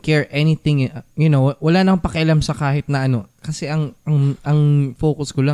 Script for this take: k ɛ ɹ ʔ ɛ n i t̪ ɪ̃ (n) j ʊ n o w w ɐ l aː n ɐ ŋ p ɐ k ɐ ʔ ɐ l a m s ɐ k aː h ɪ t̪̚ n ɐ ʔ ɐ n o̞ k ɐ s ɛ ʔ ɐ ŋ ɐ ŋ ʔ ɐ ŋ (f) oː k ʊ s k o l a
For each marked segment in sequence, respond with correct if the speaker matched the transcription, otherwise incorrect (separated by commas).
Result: incorrect, correct